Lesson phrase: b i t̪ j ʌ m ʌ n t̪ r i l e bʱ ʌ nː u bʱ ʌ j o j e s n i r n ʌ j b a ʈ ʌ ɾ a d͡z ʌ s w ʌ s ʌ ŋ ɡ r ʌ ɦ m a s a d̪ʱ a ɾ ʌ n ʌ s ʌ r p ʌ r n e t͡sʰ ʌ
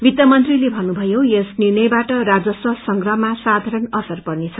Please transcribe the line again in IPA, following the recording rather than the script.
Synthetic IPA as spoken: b i t̪ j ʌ m ʌ n t̪ r i l e bʱ ʌ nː u bʱ ʌ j o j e s n i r n ʌ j b a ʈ ʌ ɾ a d͡z ʌ s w ʌ s ʌ ŋ ɡ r ʌ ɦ m a s a d̪ʱ a ɾ ʌ n ʌ s ʌ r p ʌ r n e t͡sʰ ʌ